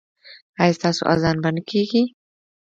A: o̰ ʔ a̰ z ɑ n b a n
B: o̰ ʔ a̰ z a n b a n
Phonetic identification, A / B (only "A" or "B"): A